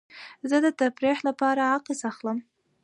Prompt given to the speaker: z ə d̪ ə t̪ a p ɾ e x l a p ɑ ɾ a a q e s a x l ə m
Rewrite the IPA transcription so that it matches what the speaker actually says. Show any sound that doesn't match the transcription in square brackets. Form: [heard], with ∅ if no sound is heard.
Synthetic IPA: z ə d̪ ə t̪ a p ɾ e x l a p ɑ ɾ a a q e s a x l ə m

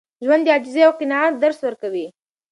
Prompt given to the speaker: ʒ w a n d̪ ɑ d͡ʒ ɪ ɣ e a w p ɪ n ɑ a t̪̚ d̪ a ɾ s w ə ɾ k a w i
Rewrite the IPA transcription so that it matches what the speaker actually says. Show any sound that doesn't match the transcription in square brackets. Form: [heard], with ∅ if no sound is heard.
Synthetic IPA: ʒ w a n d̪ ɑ d͡ʒ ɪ [z] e a w [q] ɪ n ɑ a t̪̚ d̪ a ɾ s w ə ɾ k a w i

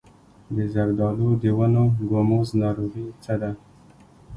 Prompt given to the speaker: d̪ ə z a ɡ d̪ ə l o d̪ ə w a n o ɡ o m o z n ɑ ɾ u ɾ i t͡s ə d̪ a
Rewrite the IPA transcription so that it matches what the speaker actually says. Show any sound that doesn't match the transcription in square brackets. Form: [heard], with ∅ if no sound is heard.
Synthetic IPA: d̪ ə z a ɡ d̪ [ɑ] l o d̪ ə w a n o ɡ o m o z n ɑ ɾ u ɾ i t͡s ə d̪ a

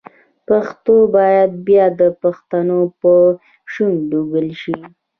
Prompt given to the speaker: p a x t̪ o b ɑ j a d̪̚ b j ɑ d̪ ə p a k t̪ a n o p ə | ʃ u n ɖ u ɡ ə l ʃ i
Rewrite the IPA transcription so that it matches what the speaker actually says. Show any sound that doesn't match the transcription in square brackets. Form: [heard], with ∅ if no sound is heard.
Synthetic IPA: p a x t̪ o b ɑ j a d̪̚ b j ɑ d̪ ə p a [x] t̪ a n o p ə | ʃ u n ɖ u ɡ ə l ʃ i

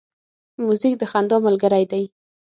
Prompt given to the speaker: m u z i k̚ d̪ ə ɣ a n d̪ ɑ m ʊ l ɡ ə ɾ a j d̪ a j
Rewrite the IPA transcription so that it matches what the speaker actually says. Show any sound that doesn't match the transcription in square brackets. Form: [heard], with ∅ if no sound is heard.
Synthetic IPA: m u z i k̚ d̪ ə [x] a n d̪ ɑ m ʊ l ɡ ə ɾ a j d̪ a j

